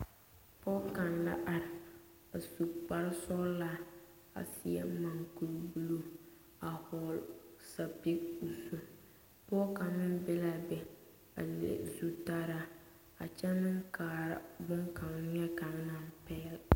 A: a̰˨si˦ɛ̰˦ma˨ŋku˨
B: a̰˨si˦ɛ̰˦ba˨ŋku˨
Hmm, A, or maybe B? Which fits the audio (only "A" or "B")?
A